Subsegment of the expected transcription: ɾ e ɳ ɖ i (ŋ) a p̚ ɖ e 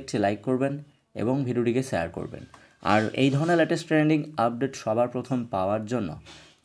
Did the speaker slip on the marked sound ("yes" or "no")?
no